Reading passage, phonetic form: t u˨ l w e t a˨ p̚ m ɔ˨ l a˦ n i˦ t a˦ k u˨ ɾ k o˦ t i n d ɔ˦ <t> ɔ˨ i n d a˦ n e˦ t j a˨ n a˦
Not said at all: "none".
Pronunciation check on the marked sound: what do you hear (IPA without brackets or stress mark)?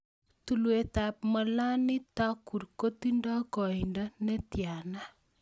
k